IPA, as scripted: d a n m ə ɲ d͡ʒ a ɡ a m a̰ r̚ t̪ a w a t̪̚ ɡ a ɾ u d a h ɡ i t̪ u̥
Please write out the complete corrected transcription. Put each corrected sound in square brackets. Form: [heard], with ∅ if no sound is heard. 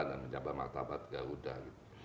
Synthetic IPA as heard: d a n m ə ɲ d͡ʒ a [b] a m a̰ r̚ t̪ a [b] a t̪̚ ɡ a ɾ u d a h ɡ i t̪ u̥